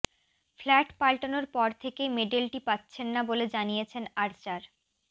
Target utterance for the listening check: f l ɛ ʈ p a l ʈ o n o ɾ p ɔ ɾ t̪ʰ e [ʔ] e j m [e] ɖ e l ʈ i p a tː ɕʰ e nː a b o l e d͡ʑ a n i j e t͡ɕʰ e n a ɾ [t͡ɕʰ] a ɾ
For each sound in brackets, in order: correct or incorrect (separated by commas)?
incorrect, correct, incorrect